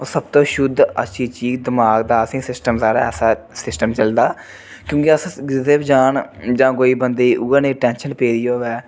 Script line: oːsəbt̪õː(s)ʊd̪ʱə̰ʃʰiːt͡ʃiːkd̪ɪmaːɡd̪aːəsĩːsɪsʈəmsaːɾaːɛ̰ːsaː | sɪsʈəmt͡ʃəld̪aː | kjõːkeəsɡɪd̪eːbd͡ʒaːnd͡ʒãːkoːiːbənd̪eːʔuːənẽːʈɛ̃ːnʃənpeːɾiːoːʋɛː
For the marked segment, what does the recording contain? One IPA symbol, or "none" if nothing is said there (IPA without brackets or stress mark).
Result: ʃ